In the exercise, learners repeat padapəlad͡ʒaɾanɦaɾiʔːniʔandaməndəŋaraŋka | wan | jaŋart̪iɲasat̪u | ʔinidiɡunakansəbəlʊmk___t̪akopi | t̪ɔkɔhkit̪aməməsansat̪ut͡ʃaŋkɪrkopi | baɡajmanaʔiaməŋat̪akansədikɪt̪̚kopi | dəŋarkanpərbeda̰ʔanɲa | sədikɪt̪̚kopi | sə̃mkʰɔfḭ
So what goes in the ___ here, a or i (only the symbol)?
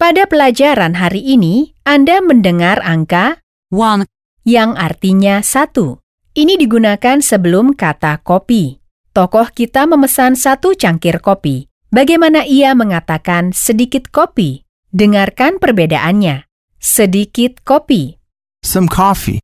a